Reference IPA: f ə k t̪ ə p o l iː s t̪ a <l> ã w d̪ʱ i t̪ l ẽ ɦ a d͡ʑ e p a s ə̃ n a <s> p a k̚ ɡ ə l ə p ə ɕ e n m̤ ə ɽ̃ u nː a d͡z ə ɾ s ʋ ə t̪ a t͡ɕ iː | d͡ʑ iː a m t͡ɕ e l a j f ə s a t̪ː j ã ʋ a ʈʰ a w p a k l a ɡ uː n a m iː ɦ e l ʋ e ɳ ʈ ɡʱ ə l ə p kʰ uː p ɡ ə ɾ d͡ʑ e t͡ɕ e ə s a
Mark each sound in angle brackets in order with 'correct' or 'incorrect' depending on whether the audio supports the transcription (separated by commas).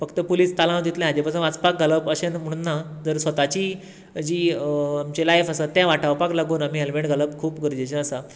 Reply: correct, incorrect